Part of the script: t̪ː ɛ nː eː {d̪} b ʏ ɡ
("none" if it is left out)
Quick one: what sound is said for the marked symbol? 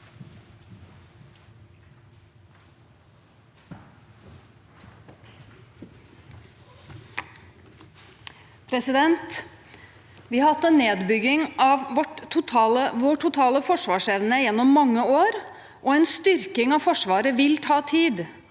d̪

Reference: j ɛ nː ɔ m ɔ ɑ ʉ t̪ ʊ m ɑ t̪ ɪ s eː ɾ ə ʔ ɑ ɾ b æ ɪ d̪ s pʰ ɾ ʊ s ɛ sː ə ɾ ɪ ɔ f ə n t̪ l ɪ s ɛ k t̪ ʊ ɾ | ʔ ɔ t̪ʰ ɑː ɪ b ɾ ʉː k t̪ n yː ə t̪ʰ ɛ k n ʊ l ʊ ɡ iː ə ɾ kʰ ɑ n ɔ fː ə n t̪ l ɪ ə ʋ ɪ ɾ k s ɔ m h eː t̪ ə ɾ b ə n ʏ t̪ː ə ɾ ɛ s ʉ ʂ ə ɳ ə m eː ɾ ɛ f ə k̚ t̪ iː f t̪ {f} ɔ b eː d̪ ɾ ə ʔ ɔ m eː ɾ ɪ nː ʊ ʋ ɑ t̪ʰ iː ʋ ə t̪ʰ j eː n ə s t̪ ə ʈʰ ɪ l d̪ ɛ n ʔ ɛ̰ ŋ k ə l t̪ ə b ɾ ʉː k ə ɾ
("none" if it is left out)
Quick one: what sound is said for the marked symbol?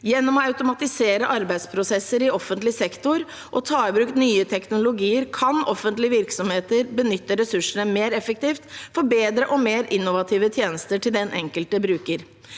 f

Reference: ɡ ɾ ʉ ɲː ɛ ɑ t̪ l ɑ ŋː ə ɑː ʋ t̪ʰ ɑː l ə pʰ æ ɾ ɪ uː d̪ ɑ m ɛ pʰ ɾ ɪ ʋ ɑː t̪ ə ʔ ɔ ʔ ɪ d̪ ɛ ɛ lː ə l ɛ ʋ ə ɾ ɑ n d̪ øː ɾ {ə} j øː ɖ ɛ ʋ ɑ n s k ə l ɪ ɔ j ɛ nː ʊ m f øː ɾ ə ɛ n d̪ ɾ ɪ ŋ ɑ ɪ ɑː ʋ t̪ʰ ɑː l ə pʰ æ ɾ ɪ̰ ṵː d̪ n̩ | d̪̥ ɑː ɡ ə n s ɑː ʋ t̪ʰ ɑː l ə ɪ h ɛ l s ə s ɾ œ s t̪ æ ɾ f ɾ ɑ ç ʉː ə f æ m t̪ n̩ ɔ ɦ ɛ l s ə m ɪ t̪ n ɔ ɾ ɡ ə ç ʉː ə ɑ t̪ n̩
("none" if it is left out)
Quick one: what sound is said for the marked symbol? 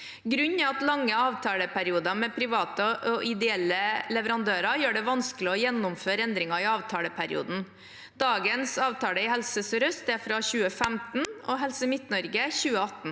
ɑ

